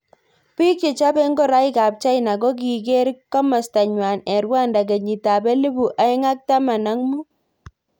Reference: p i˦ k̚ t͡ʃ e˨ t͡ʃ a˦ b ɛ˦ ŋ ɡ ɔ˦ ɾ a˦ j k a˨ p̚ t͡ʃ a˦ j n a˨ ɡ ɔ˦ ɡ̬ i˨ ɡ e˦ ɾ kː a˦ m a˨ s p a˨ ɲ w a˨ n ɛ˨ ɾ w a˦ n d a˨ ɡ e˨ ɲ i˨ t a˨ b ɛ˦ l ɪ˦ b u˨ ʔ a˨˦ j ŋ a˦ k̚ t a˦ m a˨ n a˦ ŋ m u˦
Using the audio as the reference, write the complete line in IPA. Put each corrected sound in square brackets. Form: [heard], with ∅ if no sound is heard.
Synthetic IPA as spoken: p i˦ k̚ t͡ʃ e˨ t͡ʃ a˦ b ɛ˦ ŋ ɡ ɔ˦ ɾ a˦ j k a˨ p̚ t͡ʃ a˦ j n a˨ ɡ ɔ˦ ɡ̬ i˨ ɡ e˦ ɾ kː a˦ m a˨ s [t] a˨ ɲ w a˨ n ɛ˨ ɾ w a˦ n d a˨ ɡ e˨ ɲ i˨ t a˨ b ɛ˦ l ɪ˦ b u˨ ʔ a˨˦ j ŋ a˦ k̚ t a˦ m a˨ n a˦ ŋ m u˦